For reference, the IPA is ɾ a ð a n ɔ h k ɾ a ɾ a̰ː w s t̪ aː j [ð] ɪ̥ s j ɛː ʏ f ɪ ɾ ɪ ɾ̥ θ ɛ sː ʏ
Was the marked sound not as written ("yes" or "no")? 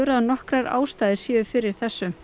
no